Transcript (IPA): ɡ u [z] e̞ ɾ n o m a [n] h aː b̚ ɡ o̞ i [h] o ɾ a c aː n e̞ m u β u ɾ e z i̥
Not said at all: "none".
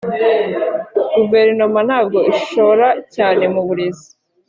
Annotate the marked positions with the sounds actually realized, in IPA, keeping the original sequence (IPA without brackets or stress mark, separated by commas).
v, n, ʃ